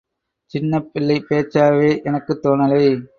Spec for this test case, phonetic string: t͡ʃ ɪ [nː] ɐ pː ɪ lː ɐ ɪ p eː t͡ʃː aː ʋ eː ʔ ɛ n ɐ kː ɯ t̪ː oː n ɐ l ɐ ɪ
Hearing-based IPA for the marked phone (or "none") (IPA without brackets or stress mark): nː